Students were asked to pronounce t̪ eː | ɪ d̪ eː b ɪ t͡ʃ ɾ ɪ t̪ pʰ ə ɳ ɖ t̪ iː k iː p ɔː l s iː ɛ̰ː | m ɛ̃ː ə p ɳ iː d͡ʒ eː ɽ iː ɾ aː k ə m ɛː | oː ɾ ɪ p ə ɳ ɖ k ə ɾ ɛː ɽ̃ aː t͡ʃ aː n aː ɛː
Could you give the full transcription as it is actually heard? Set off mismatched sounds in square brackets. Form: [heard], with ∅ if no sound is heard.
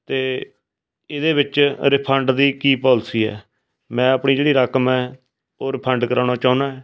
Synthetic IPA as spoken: t̪ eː | ɪ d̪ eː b ɪ t͡ʃ ɾ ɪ [∅] pʰ ə ɳ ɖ [d̪] iː k iː p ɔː l s iː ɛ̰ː | m ɛ̃ː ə p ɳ iː d͡ʒ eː ɽ iː ɾ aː k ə m ɛː | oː ɾ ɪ [pʰ] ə ɳ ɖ k ə ɾ [aː] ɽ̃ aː t͡ʃ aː n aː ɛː